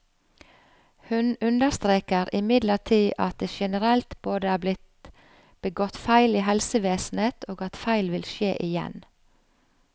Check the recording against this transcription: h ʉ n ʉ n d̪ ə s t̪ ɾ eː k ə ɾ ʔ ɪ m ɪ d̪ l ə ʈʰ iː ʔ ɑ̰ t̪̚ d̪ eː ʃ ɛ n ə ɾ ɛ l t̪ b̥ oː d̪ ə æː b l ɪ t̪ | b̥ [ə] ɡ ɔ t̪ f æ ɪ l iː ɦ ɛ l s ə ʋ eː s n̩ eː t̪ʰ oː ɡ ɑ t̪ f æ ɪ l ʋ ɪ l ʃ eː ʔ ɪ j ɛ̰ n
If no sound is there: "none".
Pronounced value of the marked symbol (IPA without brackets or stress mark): ə